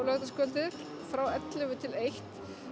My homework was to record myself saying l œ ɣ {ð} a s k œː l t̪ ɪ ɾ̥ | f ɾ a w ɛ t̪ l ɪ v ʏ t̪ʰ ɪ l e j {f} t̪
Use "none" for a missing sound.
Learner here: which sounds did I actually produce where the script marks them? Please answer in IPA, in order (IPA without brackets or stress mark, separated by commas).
ð, h